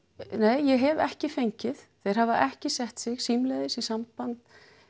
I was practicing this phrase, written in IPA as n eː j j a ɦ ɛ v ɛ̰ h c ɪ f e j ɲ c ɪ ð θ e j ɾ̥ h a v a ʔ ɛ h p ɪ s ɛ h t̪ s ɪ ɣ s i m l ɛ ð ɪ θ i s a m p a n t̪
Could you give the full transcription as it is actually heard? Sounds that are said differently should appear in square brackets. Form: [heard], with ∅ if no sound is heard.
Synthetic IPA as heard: n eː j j [ɛ] ɦ ɛ v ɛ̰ h c ɪ f e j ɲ c ɪ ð θ e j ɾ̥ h a v a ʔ ɛ h [c] ɪ s ɛ h t̪ s ɪ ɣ s i m l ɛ ð ɪ [s] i s a m p a n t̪